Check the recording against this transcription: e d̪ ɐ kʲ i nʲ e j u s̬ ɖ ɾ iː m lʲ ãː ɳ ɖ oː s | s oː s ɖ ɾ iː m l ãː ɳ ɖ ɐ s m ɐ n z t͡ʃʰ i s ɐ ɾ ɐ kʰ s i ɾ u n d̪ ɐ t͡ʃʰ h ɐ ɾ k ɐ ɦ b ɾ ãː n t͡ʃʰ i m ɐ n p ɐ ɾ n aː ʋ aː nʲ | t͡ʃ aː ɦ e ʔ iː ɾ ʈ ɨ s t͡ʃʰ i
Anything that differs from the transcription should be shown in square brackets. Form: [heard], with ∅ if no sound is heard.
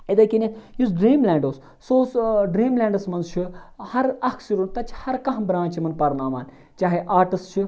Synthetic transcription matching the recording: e d̪ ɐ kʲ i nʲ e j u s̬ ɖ ɾ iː m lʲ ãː ɳ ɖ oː s | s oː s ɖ ɾ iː m l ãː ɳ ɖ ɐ s m ɐ n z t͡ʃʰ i [h] ɐ ɾ ɐ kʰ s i ɾ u n [t̪] ɐ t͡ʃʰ h ɐ ɾ k ɐ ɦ b ɾ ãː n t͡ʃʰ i m ɐ n p ɐ ɾ n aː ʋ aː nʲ | t͡ʃ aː ɦ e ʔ [aː] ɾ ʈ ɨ s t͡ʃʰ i